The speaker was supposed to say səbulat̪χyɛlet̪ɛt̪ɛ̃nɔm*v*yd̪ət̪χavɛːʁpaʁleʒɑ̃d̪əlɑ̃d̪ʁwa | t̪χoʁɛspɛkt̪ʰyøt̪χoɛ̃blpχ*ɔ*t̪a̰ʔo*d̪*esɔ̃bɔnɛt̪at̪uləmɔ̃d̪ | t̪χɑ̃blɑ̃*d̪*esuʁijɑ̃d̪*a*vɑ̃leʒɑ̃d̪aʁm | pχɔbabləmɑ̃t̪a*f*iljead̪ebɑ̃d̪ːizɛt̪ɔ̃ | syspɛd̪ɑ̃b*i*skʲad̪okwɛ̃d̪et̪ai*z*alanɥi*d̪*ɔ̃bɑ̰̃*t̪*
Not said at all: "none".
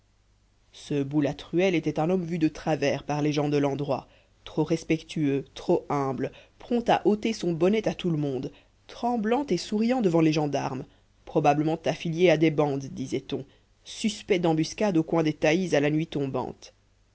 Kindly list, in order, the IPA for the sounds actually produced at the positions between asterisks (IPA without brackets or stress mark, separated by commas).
v, ɔ̃, t̪, t̪, ə, f, y, z, t̪, t̪